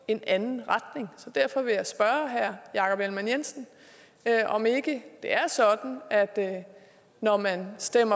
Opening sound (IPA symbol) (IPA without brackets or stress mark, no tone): e̝